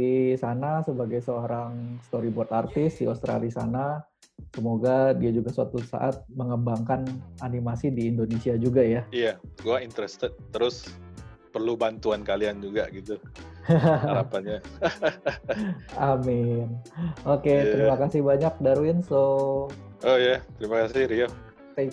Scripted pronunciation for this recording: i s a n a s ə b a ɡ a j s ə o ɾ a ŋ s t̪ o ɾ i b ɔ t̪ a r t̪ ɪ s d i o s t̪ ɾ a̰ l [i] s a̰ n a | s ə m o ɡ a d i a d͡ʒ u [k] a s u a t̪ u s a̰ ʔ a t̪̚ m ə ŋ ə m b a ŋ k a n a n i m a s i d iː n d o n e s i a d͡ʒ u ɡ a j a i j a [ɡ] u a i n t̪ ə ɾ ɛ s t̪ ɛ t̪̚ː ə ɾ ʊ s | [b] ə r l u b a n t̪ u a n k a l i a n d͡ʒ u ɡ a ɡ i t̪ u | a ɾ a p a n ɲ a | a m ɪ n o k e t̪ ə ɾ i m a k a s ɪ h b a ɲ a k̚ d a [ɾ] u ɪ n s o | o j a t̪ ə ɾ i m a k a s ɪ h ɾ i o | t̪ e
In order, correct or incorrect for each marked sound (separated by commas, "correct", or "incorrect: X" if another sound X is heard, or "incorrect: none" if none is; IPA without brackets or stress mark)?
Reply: correct, incorrect: ɡ, correct, incorrect: p, correct